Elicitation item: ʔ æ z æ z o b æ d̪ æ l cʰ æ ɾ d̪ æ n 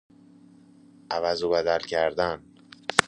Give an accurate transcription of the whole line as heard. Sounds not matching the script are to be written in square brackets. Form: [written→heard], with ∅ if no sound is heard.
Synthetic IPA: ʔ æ [z→v] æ z o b æ d̪ æ l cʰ æ ɾ d̪ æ n

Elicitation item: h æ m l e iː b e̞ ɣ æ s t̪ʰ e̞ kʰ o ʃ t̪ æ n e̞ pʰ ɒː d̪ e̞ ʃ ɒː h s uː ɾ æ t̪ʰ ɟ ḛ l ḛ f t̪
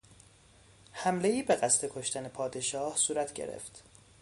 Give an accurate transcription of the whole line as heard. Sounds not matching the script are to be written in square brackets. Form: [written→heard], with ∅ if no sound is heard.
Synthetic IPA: h æ m l e iː b e̞ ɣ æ s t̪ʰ e̞ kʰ o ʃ t̪ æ n e̞ pʰ ɒː d̪ e̞ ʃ ɒː h s uː ɾ æ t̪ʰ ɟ ḛ [l→ɾ] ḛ f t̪

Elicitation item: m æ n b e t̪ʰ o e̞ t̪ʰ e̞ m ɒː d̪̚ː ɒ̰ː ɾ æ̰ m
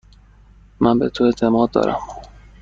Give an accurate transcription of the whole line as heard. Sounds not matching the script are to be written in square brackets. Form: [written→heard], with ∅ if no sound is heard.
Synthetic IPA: m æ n b e t̪ʰ o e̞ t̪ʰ e̞ m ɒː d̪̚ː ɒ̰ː ɾ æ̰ m

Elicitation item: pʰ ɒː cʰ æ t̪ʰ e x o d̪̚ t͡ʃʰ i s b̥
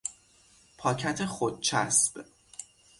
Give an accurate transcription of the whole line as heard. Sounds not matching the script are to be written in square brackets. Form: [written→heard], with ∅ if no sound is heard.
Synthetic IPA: pʰ ɒː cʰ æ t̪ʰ e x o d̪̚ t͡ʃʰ [i→æ] s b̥

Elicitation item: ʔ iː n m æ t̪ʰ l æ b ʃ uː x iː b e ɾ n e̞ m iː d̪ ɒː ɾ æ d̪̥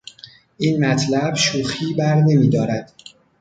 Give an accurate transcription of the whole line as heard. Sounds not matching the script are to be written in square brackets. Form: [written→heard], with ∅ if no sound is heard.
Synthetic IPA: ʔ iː n m æ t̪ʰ l æ b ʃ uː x iː b [e→æ] ɾ n e̞ m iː d̪ ɒː ɾ æ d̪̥

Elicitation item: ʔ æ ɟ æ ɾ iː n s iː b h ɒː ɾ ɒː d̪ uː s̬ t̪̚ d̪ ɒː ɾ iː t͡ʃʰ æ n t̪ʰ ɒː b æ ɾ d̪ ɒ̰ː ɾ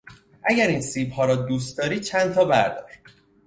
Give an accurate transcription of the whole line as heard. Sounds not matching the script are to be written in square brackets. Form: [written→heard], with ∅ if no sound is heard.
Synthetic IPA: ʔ æ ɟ æ ɾ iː n s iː b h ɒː ɾ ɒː d̪ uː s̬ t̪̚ d̪ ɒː ɾ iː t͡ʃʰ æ n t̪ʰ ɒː b æ ɾ d̪ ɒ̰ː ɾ

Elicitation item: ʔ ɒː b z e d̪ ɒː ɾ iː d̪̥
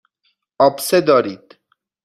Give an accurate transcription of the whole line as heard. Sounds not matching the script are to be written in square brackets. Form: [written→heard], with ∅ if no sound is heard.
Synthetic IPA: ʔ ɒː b [z→s] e d̪ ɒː ɾ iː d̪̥

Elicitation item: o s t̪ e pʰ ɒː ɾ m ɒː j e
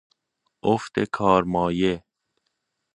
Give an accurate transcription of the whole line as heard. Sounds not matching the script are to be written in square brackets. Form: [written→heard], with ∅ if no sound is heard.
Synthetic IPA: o [s→f] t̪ e [pʰ→kʰ] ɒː ɾ m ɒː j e

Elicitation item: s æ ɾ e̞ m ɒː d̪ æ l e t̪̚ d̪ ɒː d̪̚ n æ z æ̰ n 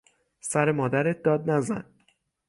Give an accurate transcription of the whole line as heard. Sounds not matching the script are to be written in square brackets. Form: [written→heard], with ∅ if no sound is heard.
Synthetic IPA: s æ ɾ e̞ m ɒː d̪ æ [l→ɾ] e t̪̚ d̪ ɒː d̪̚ n æ z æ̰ n

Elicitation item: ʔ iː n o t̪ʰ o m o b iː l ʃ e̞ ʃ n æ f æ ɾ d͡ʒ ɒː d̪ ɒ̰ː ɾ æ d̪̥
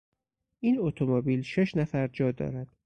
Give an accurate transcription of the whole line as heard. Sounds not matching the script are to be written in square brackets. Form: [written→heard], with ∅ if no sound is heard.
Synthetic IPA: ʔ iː n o t̪ʰ o m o b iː l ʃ e̞ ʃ n æ f æ ɾ d͡ʒ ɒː d̪ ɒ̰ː ɾ æ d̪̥

